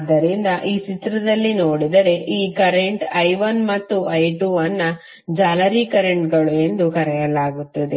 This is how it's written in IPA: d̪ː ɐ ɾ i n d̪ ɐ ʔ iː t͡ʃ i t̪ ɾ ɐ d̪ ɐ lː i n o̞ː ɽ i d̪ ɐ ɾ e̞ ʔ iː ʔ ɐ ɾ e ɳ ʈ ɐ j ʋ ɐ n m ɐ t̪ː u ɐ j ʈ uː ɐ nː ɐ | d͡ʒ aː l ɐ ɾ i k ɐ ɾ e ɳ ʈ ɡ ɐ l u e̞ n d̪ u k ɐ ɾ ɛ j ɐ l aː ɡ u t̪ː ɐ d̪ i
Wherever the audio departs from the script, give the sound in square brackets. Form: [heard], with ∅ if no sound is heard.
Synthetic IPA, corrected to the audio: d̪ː ɐ ɾ i n d̪ ɐ ʔ iː t͡ʃ i t̪ ɾ ɐ d̪ ɐ lː i n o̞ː ɽ i d̪ ɐ ɾ e̞ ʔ iː [k] ɐ ɾ e ɳ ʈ ɐ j ʋ ɐ n m ɐ t̪ː u ɐ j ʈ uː ɐ nː ɐ | d͡ʒ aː l ɐ ɾ i k ɐ ɾ e ɳ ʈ ɡ ɐ [ɭ] u e̞ n d̪ u k ɐ ɾ ɛ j ɐ l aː ɡ u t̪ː ɐ d̪ [e]